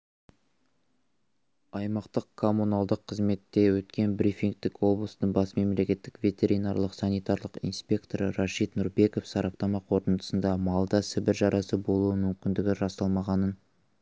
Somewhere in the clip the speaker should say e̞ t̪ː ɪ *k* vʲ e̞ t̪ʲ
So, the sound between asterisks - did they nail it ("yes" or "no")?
yes